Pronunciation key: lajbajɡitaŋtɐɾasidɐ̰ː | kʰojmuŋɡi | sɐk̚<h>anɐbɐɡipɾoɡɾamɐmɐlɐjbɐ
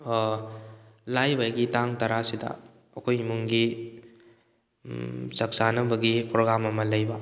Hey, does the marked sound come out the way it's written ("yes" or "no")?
no